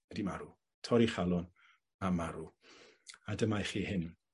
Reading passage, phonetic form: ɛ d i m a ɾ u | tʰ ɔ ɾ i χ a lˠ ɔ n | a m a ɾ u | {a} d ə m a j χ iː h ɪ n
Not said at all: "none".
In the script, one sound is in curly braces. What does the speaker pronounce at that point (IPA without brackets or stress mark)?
a